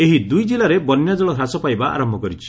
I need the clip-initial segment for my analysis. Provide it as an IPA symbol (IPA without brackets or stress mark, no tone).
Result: e